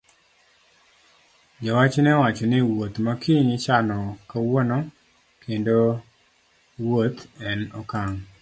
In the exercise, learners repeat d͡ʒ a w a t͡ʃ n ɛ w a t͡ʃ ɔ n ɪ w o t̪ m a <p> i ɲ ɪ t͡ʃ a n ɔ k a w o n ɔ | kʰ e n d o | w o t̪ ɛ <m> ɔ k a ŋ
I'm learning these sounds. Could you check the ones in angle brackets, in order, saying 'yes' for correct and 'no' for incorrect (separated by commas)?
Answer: no, no